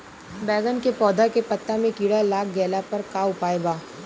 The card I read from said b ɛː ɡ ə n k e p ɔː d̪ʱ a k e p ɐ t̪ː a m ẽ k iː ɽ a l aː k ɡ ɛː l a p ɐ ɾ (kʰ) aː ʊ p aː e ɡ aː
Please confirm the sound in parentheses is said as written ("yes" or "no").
no